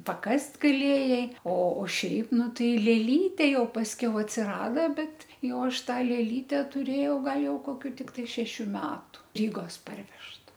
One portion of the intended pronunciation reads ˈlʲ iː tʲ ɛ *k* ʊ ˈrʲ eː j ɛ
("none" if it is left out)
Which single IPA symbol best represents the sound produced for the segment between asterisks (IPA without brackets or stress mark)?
t